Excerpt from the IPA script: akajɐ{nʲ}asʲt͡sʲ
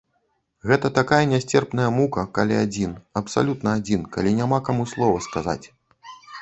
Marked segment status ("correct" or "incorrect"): correct